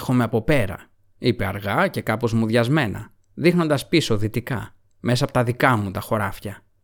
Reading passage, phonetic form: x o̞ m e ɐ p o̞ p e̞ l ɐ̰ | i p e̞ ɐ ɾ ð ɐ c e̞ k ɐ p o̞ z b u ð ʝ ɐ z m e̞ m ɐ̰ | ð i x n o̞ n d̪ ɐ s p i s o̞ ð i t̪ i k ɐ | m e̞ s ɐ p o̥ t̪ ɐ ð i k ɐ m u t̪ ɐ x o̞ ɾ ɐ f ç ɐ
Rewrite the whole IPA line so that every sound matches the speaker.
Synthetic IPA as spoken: x o̞ m e ɐ p o̞ p e̞ ɾ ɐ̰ | i p e̞ ɐ ɾ ɣ ɐ c e̞ k ɐ p o̞ z m u ð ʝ ɐ z m e̞ n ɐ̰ | ð i x n o̞ n d̪ ɐ s p i s o̞ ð i t̪ i k ɐ | m e̞ s ɐ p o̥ t̪ ɐ ð i k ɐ m u t̪ ɐ x o̞ ɾ ɐ f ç ɐ